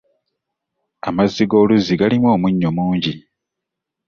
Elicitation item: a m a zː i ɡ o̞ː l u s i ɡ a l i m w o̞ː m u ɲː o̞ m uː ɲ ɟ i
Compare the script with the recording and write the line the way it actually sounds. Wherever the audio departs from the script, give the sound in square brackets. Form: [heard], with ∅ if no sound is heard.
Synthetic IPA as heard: a m a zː i ɡ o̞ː l u [z] i ɡ a l i m w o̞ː m u ɲː o̞ m uː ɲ ɟ i